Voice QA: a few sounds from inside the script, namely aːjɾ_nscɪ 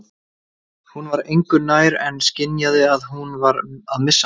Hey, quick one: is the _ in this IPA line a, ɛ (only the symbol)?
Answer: ɛ